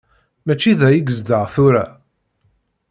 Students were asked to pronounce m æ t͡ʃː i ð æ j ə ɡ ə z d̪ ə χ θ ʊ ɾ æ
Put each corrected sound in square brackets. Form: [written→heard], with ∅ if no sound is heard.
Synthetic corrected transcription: m æ t͡ʃː i ð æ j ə ɡ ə z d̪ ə [χ→ʁ] θ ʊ ɾ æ